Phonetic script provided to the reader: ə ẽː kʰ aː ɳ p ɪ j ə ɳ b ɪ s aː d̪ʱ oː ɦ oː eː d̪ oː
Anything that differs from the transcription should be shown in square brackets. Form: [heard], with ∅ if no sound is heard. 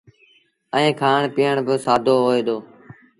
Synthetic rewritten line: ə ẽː kʰ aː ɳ p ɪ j ə ɳ b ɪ s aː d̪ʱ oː ɦ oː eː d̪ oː